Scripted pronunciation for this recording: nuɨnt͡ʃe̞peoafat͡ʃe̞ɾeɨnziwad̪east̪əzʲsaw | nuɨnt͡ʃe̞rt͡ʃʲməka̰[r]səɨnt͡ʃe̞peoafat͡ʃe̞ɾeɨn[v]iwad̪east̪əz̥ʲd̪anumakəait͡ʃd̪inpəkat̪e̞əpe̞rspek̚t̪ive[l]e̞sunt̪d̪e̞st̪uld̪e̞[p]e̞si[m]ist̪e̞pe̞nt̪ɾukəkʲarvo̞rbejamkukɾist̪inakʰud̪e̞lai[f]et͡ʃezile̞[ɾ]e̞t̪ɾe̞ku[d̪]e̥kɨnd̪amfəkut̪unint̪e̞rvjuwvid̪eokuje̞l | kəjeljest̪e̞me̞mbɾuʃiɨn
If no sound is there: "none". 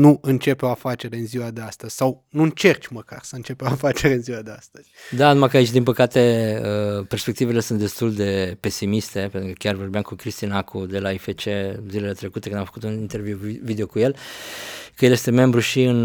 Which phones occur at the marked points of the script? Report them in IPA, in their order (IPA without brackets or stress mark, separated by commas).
r, z, l, p, m, f, l, t̪